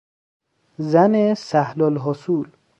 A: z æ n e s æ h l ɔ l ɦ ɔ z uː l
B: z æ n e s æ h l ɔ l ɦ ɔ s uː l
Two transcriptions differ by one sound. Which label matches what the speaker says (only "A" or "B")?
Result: B